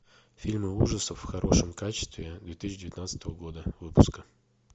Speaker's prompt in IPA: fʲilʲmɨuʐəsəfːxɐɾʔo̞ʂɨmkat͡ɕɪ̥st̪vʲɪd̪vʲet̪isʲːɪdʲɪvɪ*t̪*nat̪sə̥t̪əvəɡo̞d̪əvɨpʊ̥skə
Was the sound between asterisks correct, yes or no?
yes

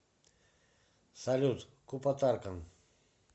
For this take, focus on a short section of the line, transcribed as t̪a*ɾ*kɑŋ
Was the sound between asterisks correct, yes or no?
yes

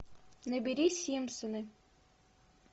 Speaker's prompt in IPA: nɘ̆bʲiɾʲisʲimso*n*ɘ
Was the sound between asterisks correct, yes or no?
yes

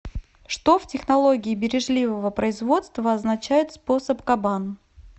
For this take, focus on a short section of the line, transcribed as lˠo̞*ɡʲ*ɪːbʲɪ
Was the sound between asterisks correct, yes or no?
yes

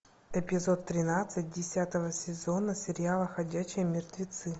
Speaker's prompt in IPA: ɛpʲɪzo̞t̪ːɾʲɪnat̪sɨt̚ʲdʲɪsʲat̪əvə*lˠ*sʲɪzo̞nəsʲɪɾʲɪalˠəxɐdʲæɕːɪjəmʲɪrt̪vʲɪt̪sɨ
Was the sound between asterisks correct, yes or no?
no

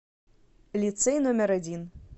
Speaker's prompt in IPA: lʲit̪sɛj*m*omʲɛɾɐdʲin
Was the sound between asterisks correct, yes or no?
no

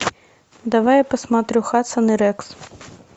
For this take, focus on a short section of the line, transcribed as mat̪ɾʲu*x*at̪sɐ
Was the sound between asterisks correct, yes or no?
yes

